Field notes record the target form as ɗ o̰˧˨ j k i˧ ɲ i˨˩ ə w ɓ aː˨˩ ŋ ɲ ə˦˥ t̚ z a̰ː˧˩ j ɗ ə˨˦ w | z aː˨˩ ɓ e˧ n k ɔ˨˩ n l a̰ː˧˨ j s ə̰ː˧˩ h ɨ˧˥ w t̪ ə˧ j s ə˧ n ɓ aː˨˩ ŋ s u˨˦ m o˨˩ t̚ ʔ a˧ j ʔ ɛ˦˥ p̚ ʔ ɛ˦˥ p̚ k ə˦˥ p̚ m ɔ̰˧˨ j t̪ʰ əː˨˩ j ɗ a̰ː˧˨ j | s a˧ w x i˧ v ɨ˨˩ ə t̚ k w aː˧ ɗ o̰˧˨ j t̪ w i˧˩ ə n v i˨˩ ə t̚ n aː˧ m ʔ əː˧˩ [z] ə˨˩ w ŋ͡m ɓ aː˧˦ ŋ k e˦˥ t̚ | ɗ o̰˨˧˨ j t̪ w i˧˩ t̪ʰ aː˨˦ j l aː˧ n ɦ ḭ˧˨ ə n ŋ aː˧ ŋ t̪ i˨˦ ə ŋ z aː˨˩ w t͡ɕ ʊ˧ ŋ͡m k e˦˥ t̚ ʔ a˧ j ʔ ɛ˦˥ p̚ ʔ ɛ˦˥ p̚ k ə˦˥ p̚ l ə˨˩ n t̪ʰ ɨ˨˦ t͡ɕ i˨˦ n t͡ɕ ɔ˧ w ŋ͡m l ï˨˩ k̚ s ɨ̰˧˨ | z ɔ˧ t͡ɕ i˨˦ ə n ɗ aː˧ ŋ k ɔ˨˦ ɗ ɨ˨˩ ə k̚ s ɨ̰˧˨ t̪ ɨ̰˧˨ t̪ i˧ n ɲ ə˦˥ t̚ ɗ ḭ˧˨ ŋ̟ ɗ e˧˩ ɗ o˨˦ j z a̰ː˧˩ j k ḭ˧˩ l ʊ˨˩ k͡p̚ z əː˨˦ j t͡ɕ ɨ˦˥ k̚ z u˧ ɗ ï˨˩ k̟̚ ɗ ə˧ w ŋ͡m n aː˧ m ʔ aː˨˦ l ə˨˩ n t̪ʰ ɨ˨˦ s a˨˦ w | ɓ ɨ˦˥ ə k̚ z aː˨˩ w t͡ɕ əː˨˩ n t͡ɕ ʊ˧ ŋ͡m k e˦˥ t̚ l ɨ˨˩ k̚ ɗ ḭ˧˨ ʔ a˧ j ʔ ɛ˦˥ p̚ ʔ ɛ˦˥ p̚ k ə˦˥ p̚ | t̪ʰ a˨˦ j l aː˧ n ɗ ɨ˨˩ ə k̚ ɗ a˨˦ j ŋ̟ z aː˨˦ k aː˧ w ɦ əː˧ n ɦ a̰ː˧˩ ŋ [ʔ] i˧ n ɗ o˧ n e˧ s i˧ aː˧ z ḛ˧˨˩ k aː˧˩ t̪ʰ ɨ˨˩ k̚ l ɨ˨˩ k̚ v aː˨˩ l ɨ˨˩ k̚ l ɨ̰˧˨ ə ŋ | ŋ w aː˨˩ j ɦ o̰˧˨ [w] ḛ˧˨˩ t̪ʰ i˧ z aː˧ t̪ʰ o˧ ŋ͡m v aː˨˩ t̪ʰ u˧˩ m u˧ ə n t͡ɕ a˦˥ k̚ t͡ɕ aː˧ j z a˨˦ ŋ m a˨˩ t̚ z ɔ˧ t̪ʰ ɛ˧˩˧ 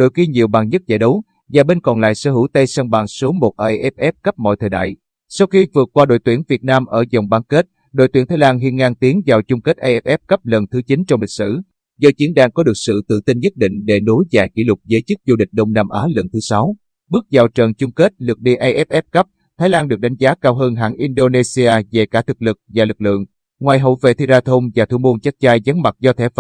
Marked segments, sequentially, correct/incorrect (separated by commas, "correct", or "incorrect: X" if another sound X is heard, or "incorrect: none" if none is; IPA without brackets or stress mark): correct, correct, incorrect: v